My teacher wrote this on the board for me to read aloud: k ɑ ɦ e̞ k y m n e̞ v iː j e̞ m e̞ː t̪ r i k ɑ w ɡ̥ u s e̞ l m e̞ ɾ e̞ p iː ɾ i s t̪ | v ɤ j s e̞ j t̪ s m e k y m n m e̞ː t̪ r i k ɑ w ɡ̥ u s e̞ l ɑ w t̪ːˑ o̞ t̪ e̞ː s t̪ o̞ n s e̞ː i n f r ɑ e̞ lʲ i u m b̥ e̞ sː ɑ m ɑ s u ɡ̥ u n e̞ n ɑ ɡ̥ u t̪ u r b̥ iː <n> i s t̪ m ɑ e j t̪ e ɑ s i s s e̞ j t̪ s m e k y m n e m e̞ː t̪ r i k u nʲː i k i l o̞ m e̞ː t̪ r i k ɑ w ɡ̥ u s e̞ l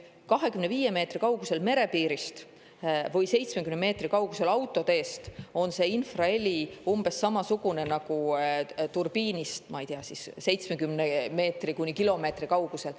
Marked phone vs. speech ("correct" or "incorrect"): correct